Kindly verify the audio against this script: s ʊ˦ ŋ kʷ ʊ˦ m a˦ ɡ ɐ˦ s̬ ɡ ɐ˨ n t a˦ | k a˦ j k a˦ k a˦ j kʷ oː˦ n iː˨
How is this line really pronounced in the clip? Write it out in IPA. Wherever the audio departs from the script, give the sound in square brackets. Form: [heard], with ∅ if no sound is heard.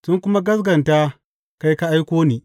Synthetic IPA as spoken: s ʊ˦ ŋ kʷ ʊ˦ m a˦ ɡ ɐ˦ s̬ ɡ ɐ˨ n t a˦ | k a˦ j k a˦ [ʔ] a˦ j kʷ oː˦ n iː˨